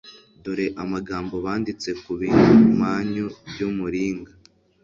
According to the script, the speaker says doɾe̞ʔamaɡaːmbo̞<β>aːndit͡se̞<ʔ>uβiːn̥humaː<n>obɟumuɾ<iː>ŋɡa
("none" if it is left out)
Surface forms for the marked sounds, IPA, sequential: β, k, ɲ, iː

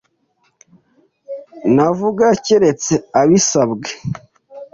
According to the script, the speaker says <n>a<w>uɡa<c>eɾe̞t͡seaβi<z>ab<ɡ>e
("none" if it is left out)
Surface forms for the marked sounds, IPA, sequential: n, v, c, s, ɡ

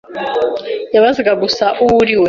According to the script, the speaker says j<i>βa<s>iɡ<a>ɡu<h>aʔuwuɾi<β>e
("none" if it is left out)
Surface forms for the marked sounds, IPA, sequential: a, z, a, s, w

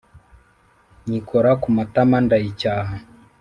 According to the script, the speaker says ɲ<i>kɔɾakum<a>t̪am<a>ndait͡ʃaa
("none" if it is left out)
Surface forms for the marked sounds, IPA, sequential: i, a, a

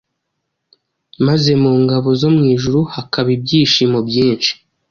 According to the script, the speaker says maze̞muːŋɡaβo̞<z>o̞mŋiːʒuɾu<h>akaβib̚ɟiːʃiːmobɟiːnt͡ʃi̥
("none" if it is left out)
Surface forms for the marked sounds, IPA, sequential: z, h

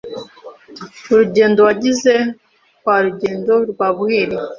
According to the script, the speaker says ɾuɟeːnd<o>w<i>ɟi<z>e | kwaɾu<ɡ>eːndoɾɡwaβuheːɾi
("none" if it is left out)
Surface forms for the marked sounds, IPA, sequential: o, a, z, ɟ

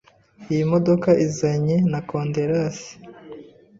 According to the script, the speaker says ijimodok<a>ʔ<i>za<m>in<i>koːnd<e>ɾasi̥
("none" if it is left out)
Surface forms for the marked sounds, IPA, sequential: a, i, ɲ, a, e

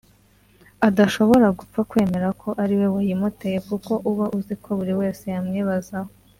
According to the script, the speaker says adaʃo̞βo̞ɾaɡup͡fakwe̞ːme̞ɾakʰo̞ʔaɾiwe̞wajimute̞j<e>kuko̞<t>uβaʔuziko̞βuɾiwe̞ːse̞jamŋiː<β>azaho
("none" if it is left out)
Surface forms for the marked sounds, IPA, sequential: e, ʔ, β

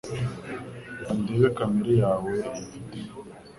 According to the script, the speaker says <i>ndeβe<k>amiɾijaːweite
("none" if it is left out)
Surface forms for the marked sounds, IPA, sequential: a, k

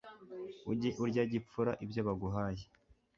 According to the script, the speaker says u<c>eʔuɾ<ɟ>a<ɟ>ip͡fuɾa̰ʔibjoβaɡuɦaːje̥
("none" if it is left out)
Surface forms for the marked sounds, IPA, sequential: ɟ, ɟ, ɟ

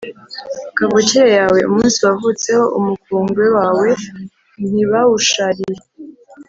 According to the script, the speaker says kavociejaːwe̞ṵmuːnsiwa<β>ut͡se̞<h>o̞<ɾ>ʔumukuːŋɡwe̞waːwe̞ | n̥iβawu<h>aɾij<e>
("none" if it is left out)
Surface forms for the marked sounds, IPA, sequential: v, h, none, ʃ, e

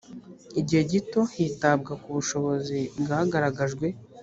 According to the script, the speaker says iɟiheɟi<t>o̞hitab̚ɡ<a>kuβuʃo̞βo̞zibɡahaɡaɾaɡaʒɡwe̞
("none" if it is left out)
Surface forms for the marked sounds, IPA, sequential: t, a

